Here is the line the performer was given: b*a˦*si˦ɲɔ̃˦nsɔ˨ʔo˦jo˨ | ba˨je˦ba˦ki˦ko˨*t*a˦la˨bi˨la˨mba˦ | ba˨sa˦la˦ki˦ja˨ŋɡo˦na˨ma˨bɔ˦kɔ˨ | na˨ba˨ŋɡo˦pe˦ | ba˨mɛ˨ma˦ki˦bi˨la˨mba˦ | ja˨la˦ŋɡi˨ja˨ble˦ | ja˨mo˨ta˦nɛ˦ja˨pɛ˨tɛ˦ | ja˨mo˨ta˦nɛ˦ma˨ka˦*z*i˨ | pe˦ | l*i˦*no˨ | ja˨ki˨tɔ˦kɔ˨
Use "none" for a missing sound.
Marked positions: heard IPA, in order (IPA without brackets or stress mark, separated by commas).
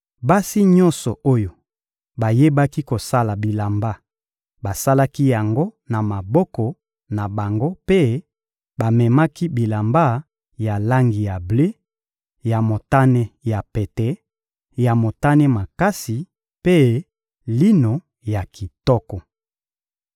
a˦, s, s, i˦